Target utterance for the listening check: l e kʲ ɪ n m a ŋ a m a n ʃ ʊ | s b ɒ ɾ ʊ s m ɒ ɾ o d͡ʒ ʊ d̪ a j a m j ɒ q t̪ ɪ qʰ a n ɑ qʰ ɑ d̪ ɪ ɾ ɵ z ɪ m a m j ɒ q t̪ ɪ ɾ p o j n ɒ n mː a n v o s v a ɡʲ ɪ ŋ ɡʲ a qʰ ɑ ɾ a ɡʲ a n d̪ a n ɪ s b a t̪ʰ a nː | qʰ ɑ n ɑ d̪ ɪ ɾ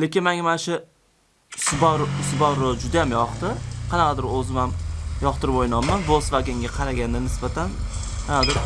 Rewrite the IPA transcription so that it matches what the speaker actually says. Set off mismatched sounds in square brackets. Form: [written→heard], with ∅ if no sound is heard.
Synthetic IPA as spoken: l e kʲ ɪ n m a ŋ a m a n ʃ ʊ | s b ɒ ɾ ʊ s [m→b] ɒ ɾ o d͡ʒ ʊ d̪ a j a m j ɒ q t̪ ɪ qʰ [a→ɑ] n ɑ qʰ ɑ d̪ ɪ ɾ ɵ z ɪ m a m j ɒ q t̪ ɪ ɾ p o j n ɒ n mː a n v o s v a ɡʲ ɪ ŋ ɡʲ a qʰ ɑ ɾ a ɡʲ a n d̪ a n ɪ s b a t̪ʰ a [nː→n] | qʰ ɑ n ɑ d̪ ɪ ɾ